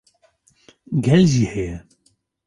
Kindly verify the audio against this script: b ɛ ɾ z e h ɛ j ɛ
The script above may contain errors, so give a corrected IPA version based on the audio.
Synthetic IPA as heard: ɡ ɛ l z i h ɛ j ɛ

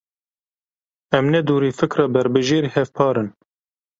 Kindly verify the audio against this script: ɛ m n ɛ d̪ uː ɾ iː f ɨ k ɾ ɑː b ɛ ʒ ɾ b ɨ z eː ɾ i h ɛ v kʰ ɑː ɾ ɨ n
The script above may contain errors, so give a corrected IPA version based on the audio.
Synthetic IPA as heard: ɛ m n ɛ d̪ uː ɾ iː f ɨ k ɾ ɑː b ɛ ɾ b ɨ ʒ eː ɾ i h ɛ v pʰ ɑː ɾ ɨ n

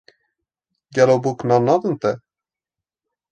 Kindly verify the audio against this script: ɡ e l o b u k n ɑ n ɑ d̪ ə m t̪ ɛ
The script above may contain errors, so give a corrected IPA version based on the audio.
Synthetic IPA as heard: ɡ ɛ l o b u k n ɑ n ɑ d̪ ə n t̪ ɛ

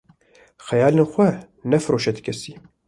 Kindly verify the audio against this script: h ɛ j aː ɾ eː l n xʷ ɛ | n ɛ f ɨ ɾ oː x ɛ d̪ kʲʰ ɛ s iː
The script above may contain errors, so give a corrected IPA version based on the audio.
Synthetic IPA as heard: x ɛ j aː l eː n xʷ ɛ | n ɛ f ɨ ɾ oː ʃ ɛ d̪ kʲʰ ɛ s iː

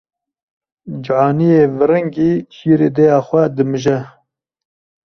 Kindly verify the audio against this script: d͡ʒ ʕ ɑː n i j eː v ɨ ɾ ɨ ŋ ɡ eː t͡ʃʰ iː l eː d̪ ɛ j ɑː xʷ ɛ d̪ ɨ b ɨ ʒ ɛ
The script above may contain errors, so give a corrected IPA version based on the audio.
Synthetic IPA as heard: d͡ʒ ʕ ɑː n i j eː v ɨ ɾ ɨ ŋ ɡ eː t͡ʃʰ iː ɾ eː d̪ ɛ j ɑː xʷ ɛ d̪ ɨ m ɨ ʒ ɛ

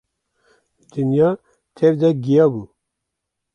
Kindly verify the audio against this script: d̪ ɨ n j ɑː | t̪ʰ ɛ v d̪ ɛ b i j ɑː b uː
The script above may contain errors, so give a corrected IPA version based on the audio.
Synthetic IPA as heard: d̪ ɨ n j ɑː | t̪ʰ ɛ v d̪ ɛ ɡ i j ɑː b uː

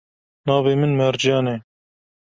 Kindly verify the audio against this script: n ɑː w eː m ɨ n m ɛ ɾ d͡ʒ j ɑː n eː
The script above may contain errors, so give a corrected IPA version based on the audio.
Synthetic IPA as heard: n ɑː v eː m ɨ n m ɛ ɾ d͡ʒ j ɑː n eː

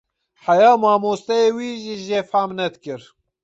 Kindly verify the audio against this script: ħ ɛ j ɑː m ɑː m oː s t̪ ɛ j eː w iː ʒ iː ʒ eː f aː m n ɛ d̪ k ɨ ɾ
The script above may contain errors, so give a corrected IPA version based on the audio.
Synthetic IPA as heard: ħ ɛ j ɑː m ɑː m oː s t̪ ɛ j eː w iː ʒ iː ʒ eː f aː m n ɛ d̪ k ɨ ɾ

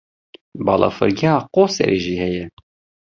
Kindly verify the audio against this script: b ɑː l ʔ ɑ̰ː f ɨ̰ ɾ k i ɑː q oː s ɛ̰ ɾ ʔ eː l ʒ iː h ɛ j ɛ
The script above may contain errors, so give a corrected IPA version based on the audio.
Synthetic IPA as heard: b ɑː l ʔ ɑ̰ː f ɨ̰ ɾ ɡ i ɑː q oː s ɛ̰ ɾ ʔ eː ʒ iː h ɛ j ɛ

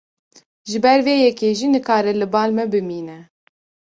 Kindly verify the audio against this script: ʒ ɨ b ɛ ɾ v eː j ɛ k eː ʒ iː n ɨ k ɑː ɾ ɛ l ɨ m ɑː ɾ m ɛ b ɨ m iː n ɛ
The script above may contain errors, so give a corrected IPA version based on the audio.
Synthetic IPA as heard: ʒ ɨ b ɛ ɾ v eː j ɛ k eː ʒ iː n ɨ k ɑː ɾ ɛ l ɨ b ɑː l m ɛ b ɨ m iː n ɛ

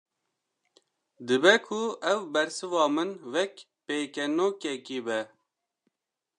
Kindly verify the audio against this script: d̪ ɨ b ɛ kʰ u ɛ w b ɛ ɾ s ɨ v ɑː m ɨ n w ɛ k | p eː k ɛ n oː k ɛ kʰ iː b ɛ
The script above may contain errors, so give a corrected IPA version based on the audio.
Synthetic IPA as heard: d̪ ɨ b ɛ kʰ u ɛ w b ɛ ɾ s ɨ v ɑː m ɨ n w ɛ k | p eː k ɛ n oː k ɛ k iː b ɛ

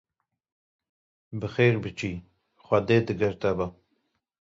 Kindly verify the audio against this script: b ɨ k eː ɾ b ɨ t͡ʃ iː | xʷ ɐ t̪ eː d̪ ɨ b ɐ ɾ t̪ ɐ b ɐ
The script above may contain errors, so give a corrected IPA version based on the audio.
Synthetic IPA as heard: b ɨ x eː ɾ b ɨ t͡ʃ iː | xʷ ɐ d̪ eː d̪ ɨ ɡ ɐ ɾ t̪ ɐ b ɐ

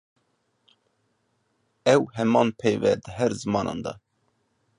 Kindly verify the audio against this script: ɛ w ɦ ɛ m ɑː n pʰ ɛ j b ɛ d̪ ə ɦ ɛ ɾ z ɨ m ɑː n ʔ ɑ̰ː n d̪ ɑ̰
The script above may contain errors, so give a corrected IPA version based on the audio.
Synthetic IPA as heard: ɛ w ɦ ɛ m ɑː n pʰ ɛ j v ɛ d̪ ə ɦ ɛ ɾ z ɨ m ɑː n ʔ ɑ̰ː n d̪ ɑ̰

